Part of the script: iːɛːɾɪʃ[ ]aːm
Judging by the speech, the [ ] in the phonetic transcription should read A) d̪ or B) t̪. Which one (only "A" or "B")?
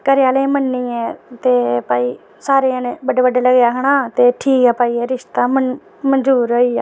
B